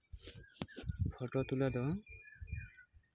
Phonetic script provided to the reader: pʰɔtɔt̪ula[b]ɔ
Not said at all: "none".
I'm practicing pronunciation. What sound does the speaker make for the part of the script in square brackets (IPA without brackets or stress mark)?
d